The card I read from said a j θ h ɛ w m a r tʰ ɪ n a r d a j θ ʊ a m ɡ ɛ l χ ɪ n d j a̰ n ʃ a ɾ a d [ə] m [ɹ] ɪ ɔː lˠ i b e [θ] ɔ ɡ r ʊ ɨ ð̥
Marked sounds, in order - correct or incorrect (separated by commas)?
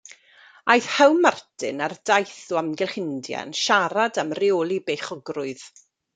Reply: incorrect, incorrect, incorrect